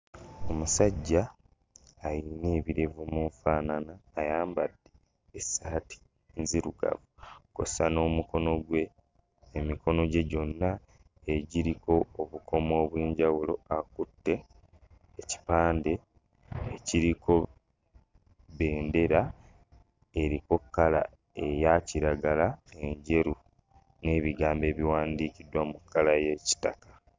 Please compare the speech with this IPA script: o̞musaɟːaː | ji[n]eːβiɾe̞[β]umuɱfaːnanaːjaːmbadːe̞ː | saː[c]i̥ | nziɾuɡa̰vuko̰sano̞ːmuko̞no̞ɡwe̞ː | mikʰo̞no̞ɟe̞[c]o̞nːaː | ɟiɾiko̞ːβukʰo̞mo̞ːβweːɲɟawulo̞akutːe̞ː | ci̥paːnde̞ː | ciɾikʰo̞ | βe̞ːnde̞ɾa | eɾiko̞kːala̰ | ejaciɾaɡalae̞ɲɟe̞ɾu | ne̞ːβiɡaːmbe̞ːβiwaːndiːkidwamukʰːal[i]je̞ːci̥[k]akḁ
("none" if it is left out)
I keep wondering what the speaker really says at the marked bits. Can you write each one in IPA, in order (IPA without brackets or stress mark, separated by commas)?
n, v, t, ɟ, a, t